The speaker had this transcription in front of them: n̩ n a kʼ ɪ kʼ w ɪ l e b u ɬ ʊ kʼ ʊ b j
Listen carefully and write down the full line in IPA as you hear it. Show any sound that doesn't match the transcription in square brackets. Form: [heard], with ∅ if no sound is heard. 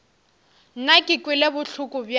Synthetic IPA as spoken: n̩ n a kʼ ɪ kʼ w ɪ l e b [ʊ] ɬ ʊ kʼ ʊ b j